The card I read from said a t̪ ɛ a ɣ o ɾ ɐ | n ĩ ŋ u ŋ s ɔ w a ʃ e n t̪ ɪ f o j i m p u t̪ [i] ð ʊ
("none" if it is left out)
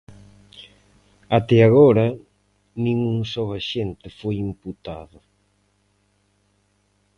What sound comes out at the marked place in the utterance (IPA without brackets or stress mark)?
a